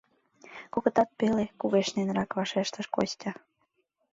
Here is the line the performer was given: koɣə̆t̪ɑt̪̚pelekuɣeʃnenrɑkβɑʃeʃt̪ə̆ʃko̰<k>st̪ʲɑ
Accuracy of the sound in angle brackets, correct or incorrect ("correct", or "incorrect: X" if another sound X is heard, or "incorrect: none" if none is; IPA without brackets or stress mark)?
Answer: incorrect: none